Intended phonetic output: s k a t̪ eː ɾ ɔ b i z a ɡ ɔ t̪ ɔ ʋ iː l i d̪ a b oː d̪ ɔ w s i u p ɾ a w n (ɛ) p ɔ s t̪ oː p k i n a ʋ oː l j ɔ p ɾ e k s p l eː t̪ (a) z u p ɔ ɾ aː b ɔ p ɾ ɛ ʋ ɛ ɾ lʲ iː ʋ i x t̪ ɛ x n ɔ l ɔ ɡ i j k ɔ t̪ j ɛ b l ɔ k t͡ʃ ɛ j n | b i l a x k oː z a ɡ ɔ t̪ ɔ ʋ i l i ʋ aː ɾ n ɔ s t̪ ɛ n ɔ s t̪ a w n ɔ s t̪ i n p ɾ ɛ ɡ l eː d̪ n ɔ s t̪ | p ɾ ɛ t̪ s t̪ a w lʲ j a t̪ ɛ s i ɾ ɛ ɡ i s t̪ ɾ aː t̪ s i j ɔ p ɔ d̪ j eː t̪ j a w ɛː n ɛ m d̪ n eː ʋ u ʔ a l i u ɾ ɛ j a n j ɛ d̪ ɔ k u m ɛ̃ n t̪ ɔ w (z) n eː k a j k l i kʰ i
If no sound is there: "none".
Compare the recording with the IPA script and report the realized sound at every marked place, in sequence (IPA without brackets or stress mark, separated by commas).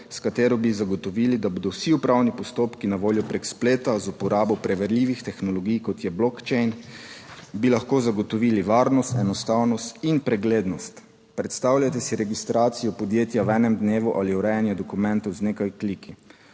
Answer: i, a, z